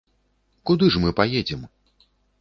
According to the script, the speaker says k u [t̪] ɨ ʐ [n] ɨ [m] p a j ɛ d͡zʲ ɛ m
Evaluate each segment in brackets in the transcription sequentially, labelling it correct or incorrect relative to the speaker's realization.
incorrect: d̪, incorrect: m, incorrect: none

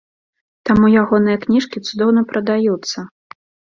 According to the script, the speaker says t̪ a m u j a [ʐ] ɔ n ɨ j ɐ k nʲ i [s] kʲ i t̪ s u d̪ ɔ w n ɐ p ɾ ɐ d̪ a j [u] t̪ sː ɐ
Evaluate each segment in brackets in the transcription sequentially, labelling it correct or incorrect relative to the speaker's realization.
incorrect: ɣ, incorrect: ʂ, correct

